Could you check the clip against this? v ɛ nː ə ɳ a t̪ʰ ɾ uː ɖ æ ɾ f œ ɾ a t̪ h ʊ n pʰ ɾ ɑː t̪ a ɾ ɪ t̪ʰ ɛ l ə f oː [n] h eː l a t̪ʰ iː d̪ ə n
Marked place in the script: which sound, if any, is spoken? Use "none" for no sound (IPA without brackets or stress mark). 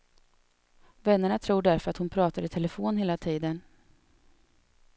n